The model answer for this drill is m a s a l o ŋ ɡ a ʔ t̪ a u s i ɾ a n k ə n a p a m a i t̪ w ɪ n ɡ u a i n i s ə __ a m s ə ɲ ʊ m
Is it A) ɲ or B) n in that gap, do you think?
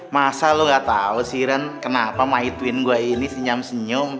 A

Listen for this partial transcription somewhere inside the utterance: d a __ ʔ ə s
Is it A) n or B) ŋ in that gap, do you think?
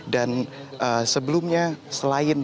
A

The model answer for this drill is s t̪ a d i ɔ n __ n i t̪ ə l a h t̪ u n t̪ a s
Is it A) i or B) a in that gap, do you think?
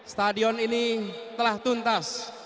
A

